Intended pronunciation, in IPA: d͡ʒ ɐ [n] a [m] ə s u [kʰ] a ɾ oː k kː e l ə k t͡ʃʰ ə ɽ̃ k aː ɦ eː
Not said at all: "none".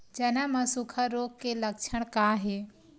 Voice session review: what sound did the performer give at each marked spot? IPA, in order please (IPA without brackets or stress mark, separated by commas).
n, m, kʰ